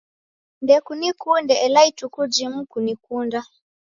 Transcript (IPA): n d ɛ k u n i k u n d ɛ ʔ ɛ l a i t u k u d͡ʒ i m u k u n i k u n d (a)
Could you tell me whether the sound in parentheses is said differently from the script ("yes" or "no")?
no